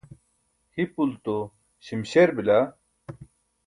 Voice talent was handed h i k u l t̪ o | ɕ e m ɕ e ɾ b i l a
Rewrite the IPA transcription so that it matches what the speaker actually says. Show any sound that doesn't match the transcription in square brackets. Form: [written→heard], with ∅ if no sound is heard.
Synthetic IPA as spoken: h i [k→p] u l t̪ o | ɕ [e→i] m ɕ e ɾ b i l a